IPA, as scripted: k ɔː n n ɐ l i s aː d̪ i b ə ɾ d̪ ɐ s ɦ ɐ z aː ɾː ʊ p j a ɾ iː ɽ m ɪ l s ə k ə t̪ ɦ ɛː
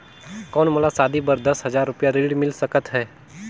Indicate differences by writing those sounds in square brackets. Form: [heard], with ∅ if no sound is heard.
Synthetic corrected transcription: k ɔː n [m] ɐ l [a] s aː d̪ i b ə ɾ d̪ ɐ s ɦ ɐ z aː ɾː ʊ p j a ɾ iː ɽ m ɪ l s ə k ə t̪ ɦ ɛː